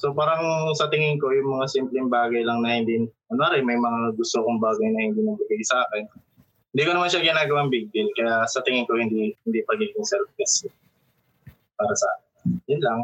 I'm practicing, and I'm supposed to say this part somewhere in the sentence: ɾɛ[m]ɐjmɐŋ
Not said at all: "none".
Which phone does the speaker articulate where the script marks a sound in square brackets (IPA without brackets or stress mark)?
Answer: m